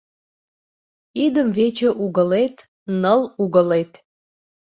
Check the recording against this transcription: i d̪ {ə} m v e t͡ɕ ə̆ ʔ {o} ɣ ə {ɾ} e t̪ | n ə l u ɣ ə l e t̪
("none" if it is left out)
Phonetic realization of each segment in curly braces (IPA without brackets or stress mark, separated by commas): ə, u, l